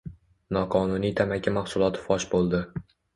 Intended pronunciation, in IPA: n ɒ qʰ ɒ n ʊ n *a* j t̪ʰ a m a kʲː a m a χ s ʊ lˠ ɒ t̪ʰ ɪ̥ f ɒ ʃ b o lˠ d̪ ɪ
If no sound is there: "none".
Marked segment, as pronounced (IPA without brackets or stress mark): i